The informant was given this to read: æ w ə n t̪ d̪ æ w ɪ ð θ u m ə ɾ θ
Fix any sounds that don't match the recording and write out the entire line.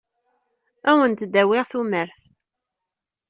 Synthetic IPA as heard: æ w ə n t̪ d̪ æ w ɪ ʁ θ u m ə ɾ θ

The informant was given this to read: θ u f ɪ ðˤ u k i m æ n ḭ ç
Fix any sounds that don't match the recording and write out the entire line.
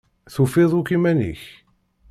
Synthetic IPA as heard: θ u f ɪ ðˤ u k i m æ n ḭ ç

